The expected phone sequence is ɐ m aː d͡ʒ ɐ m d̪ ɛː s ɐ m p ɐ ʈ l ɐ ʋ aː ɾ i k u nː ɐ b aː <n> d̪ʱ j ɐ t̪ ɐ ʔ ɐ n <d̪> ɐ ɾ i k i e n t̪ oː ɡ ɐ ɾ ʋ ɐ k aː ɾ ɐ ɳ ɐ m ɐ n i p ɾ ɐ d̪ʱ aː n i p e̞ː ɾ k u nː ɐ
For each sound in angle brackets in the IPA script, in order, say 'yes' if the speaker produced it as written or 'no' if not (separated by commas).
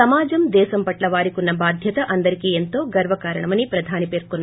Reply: no, yes